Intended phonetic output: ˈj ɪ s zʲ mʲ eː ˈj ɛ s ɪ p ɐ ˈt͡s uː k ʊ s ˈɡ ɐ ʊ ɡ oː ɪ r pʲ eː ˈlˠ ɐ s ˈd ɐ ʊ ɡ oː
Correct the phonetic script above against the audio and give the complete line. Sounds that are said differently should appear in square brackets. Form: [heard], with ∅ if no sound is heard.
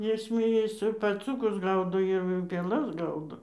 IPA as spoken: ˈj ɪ s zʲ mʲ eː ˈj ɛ s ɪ p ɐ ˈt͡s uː k ʊ s ˈɡ ɐ ʊ [d] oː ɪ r pʲ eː ˈlˠ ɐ s [ˈɡ] ɐ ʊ [d] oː